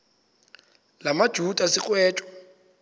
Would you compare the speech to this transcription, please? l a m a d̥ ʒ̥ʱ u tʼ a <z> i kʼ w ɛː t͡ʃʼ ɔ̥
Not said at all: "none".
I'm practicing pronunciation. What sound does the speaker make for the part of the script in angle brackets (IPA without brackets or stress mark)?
s